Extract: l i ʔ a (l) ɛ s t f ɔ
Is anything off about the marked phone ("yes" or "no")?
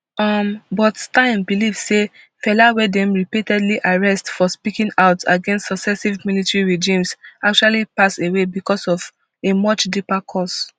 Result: yes